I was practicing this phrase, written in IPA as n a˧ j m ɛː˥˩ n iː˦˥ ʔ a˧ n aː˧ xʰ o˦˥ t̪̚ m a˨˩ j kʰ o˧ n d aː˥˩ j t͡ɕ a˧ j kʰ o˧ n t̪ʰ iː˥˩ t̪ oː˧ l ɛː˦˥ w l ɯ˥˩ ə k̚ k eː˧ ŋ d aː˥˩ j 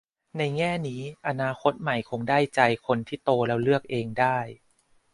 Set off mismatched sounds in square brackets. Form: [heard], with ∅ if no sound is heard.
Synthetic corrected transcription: n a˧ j [ŋ] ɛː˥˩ n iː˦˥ ʔ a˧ n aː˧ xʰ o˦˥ t̪̚ m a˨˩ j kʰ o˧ [ŋ] d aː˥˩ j t͡ɕ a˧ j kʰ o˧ n t̪ʰ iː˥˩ t̪ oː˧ l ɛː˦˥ w l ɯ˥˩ ə k̚ [ʔ] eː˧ ŋ d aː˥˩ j